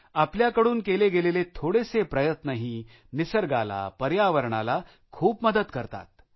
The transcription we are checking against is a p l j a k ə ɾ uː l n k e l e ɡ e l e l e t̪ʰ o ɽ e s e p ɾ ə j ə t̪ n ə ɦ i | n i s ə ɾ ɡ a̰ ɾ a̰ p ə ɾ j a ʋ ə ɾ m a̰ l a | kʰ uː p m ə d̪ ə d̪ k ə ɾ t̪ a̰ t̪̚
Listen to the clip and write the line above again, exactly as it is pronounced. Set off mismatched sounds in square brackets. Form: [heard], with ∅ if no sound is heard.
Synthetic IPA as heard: a p l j a k ə [ɽ] uː [∅] n k e l e ɡ e l e l e t̪ʰ o ɽ e s e p ɾ ə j ə t̪ n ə ɦ i | n i s ə ɾ ɡ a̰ [l] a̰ p ə ɾ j a ʋ ə ɾ [ɳ] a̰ l a | kʰ uː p m ə d̪ ə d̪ k ə ɾ t̪ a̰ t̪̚